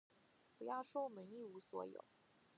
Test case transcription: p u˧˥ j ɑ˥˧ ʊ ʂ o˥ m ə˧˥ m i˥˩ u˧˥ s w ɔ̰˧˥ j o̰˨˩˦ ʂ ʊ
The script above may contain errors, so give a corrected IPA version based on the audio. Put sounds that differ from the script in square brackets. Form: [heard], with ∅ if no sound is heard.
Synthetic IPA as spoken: p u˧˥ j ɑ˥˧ ʊ ʂ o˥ m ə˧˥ [n] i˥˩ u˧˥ s w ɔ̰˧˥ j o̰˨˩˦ [∅] ʊ